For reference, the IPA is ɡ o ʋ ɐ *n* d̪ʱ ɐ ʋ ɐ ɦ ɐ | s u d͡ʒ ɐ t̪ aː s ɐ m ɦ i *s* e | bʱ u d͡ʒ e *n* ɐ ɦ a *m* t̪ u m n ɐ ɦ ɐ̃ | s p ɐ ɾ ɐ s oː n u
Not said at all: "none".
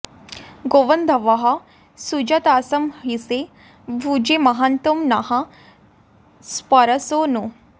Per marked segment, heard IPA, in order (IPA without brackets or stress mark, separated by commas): n, s, m, n